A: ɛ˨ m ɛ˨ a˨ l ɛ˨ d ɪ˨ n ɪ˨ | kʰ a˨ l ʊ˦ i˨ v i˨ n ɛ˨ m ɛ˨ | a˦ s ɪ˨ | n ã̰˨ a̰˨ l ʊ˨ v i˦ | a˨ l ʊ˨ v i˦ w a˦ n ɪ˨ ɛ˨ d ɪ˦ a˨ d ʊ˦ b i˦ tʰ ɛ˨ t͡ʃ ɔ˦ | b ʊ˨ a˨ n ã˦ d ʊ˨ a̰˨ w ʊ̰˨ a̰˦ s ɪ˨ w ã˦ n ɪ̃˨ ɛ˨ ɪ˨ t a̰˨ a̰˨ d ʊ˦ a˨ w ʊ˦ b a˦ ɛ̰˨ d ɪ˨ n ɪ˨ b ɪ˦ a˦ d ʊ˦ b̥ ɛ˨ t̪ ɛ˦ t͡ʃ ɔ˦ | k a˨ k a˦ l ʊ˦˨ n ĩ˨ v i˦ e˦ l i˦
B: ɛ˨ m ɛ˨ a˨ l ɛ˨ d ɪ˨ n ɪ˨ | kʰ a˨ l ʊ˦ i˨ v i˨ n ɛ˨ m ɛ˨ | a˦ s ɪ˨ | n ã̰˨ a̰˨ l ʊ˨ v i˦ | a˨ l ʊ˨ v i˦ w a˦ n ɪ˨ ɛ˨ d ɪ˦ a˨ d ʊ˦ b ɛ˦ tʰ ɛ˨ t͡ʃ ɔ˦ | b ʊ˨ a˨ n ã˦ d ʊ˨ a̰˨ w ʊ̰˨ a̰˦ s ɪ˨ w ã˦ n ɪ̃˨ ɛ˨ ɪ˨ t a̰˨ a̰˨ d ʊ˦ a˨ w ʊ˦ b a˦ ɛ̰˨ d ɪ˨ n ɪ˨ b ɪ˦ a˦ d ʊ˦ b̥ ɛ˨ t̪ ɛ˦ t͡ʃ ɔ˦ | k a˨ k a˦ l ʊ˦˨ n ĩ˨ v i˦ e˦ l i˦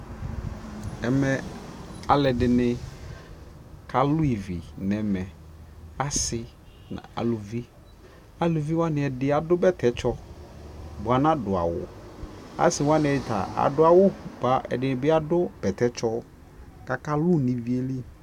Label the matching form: B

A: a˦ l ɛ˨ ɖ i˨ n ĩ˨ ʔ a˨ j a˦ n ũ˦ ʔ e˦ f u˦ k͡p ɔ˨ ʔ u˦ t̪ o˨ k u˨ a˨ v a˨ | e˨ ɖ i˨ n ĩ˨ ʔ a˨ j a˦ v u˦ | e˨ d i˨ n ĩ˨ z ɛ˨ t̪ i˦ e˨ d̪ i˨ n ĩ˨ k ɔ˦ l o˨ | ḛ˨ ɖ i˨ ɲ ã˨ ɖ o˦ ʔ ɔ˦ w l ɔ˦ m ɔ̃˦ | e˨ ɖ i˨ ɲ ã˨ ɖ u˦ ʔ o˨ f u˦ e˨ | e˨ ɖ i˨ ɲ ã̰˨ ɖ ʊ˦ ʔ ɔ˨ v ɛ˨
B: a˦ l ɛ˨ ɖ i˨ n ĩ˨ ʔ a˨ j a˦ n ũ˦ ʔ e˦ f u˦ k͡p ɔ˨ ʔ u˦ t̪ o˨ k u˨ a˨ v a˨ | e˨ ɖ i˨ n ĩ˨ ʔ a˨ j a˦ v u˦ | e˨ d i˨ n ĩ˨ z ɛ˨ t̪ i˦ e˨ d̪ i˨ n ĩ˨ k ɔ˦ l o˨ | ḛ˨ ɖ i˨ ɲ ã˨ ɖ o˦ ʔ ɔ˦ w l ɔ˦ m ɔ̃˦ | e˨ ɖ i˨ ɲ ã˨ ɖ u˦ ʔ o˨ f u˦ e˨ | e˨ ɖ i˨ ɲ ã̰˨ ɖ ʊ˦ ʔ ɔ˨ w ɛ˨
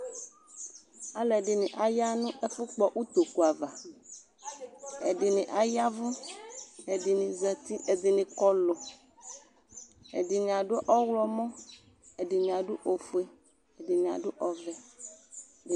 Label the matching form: A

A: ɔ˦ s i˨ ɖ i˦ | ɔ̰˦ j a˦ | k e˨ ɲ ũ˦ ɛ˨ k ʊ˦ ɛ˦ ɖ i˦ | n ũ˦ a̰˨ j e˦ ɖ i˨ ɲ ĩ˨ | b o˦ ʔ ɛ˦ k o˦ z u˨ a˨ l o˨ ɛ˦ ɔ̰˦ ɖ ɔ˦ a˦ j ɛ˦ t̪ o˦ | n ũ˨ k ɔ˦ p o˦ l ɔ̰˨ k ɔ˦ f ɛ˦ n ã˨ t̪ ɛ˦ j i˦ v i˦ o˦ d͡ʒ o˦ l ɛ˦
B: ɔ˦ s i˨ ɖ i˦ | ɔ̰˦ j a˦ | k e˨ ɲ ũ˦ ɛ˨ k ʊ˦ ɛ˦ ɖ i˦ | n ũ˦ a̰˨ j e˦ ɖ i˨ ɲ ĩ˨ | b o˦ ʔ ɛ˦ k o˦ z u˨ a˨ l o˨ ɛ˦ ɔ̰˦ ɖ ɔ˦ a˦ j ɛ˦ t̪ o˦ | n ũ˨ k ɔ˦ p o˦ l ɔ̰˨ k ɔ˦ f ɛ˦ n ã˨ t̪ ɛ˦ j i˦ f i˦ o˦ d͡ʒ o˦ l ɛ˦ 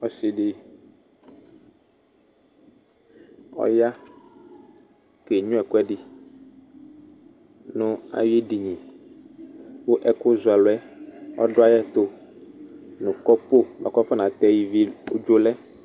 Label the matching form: A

